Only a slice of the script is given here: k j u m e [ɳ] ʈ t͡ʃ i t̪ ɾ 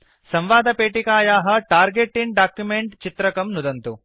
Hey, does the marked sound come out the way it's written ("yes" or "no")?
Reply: yes